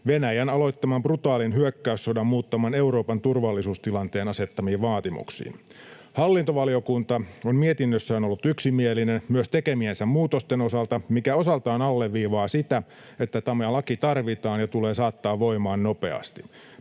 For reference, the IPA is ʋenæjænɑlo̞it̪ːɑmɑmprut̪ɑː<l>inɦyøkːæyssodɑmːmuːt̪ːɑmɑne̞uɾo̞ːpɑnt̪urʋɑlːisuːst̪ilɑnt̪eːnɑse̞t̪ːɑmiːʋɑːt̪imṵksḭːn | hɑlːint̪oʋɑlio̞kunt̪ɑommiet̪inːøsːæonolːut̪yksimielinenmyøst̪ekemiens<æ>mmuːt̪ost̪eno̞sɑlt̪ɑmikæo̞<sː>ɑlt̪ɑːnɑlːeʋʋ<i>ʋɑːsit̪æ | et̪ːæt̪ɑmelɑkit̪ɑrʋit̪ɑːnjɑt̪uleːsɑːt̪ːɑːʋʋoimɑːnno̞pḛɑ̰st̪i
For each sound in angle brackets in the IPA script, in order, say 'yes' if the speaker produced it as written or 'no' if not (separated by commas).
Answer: yes, yes, no, no